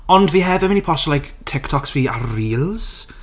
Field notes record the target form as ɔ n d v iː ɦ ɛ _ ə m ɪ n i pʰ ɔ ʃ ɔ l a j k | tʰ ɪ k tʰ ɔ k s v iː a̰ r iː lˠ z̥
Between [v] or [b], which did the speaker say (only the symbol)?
v